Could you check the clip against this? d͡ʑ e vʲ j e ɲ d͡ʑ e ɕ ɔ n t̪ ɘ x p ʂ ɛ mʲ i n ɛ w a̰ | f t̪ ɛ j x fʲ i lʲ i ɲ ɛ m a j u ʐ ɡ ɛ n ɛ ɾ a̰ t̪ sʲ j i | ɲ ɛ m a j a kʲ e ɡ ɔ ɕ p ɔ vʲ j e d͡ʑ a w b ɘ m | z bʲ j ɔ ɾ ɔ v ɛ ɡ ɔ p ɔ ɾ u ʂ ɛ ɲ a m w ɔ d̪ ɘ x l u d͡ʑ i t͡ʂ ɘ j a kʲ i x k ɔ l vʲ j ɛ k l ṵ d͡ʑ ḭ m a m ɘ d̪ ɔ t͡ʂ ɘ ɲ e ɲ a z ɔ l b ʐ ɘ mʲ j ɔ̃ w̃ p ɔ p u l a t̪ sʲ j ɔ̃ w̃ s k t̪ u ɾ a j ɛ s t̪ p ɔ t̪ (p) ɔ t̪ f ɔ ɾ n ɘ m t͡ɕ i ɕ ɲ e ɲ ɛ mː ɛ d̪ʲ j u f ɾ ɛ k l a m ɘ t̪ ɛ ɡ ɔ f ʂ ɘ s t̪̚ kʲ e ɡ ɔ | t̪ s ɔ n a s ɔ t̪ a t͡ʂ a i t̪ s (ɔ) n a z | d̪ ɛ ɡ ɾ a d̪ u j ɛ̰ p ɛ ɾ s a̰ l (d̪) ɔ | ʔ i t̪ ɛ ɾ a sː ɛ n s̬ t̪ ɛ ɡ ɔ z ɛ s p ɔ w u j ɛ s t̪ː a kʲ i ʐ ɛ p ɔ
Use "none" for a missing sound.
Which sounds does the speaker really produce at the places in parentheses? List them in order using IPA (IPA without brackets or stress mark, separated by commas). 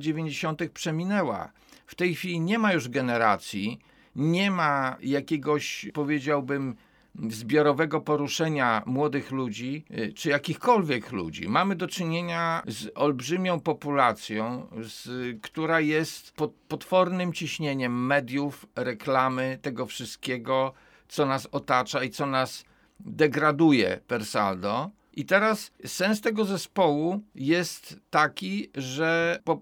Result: p, ɔ, d̪